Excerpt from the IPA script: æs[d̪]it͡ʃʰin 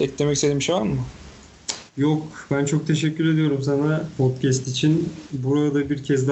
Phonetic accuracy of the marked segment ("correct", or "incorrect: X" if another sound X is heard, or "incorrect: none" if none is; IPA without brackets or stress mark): incorrect: t̪